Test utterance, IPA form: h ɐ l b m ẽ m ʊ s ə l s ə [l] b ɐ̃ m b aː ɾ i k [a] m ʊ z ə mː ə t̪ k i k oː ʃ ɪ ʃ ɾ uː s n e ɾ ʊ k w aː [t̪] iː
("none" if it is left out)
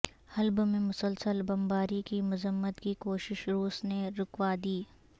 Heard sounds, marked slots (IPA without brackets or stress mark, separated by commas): l, i, d̪